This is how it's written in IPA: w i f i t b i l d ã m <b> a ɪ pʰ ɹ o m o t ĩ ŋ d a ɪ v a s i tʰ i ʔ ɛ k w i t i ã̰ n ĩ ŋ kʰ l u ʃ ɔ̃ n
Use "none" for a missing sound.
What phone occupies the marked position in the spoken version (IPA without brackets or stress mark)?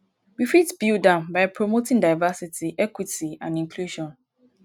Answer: b